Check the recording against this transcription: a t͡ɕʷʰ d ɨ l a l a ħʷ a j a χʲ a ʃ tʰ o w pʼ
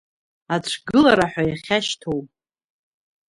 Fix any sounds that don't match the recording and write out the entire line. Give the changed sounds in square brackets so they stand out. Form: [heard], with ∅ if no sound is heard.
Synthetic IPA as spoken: a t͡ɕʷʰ [ɡ] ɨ l a [ɾ] a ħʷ a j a χʲ a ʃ tʰ o w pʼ